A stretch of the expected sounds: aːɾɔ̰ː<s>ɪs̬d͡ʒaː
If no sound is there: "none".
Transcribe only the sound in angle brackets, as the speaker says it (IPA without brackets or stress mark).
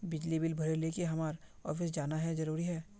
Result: f